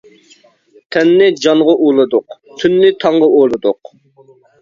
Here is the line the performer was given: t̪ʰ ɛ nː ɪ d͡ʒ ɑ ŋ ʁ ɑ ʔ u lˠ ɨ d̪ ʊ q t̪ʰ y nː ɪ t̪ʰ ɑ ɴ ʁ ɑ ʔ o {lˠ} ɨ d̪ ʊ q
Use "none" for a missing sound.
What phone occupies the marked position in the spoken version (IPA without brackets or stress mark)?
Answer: lˠ